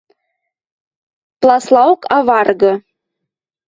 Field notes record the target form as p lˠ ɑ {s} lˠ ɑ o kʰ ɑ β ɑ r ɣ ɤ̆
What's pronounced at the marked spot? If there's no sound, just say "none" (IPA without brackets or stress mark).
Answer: s